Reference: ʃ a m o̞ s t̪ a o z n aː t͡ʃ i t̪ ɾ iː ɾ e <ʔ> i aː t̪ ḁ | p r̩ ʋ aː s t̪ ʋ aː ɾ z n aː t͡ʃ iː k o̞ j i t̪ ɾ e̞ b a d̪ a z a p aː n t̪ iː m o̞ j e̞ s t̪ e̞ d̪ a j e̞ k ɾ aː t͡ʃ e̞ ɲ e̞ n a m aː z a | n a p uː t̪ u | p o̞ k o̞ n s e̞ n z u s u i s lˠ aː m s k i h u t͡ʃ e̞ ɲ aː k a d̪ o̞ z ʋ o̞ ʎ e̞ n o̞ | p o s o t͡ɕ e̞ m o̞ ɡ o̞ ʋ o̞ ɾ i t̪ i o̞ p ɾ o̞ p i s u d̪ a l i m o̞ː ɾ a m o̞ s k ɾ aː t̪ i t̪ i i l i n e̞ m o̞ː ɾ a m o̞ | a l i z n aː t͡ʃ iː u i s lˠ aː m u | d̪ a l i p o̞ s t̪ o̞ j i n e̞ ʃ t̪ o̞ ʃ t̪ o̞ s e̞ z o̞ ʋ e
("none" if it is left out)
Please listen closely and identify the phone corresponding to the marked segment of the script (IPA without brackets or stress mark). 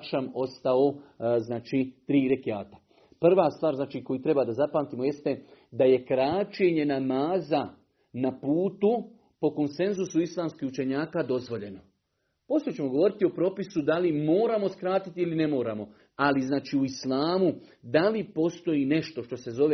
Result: k